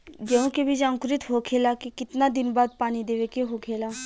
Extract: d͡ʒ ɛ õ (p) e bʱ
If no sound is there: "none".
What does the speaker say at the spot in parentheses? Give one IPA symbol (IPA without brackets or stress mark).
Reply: k